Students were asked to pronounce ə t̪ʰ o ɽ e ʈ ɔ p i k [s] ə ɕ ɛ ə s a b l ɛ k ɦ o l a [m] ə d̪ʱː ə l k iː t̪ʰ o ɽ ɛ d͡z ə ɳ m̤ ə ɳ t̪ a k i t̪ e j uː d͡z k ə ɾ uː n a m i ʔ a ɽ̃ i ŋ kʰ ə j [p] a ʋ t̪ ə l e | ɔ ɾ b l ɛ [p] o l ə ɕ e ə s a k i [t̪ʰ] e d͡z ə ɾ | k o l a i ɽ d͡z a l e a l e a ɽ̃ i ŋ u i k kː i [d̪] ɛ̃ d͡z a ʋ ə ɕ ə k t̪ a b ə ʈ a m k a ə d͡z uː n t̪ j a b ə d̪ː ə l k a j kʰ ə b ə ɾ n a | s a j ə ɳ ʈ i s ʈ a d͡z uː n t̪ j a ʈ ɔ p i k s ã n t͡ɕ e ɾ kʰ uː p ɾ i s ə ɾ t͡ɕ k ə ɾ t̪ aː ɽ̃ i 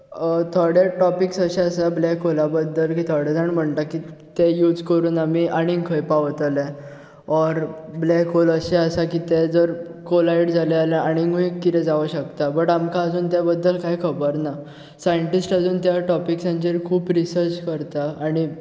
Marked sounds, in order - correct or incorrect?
correct, incorrect: b, correct, incorrect: k, incorrect: t̪, incorrect: t̪

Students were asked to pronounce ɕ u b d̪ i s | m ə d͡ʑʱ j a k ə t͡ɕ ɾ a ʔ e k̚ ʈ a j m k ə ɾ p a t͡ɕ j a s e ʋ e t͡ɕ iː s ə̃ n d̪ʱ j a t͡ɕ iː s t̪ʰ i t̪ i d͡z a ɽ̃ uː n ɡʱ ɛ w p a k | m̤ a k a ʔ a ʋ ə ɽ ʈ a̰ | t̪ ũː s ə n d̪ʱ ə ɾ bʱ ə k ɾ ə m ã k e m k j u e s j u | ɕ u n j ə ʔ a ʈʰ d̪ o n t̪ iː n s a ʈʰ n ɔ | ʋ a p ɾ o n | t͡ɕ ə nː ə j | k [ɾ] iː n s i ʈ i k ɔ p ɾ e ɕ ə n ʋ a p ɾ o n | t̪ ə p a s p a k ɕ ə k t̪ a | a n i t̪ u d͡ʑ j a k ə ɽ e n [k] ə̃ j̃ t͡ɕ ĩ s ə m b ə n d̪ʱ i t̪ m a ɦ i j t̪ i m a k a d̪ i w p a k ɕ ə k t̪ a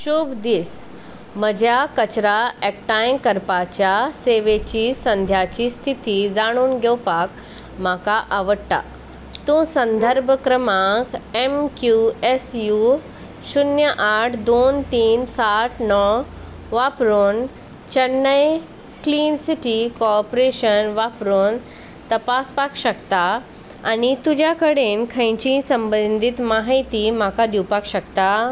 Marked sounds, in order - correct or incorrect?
incorrect: l, incorrect: kʰ

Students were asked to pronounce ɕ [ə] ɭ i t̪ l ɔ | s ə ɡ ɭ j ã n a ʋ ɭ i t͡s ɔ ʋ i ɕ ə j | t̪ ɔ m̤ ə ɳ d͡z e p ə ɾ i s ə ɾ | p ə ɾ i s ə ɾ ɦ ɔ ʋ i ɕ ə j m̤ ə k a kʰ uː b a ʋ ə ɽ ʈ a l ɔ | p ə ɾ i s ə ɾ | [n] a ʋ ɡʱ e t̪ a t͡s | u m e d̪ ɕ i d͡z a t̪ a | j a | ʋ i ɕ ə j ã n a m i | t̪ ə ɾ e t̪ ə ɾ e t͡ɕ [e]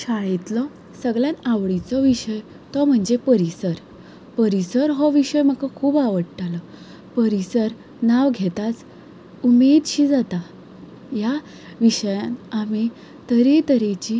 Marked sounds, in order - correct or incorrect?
incorrect: a, correct, incorrect: i

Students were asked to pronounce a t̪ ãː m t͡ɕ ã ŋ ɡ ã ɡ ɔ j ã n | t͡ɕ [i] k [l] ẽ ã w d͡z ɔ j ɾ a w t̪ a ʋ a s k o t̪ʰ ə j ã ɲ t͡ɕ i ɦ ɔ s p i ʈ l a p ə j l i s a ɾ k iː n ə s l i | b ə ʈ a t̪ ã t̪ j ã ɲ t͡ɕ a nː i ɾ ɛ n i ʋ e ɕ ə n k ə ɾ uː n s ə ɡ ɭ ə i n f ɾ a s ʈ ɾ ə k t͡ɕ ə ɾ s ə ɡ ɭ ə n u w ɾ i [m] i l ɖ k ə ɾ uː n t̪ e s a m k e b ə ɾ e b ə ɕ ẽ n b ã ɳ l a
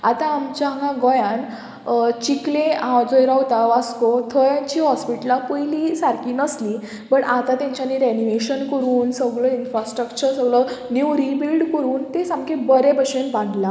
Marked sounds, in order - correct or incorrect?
correct, correct, incorrect: b

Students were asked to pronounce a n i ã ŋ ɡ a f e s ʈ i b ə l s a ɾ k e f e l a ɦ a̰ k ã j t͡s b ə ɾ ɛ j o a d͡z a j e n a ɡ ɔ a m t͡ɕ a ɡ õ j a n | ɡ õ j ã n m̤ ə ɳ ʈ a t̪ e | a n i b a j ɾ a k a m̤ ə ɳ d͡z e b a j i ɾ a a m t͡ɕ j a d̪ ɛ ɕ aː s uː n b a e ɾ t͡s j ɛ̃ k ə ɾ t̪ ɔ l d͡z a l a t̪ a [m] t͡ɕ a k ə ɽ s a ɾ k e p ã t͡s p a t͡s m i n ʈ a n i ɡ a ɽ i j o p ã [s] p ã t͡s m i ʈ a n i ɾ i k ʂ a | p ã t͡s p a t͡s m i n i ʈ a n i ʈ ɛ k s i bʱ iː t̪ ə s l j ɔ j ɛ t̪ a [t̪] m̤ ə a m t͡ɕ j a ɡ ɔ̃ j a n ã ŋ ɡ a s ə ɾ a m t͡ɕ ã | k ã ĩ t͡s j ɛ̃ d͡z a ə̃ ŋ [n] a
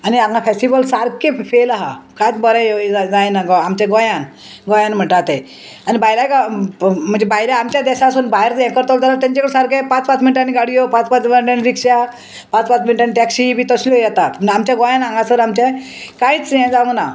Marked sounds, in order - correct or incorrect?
incorrect: ɲ, incorrect: t͡s, correct, correct

